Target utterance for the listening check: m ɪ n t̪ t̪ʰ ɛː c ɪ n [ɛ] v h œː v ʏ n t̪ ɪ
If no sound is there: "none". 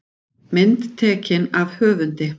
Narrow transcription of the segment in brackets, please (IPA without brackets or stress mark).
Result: a